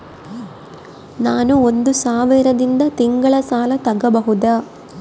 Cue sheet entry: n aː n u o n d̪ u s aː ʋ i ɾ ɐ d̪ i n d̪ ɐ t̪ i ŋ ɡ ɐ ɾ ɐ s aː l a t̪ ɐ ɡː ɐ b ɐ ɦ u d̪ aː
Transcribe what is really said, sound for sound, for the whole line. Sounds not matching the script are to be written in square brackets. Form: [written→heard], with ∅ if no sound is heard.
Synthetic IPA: n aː n u o n d̪ u s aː ʋ i ɾ ɐ d̪ i n d̪ ɐ t̪ i ŋ ɡ ɐ [ɾ→ɭ] ɐ s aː l [a→ɐ] t̪ ɐ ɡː ɐ b ɐ ɦ u d̪ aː